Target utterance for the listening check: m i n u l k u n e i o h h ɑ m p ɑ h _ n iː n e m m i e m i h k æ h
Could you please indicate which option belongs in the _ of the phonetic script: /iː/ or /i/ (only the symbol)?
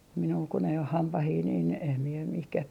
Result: iː